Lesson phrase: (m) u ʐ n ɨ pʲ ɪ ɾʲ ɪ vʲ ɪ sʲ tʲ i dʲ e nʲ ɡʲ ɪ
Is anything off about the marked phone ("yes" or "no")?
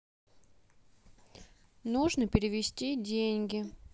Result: yes